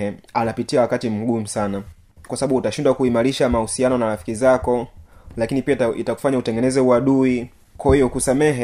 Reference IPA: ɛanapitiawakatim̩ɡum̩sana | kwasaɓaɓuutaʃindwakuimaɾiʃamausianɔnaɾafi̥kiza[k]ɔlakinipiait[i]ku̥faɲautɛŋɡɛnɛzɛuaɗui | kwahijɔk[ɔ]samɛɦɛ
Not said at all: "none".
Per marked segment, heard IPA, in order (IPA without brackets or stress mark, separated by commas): k, a, u